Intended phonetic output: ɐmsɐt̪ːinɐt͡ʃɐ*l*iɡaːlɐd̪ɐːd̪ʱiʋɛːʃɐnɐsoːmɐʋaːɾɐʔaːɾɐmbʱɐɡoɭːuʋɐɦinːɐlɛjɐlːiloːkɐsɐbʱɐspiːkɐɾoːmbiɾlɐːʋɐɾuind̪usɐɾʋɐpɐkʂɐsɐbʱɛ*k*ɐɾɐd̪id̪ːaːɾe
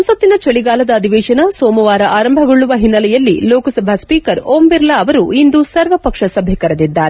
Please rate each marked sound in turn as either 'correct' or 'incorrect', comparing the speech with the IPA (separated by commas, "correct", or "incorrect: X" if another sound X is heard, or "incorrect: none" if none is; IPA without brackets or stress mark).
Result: incorrect: ɭ, correct